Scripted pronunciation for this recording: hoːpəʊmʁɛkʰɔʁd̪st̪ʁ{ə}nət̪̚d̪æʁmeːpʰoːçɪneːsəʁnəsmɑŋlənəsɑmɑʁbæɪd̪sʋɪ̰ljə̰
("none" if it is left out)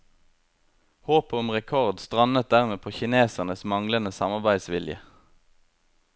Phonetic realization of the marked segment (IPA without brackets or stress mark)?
ɑ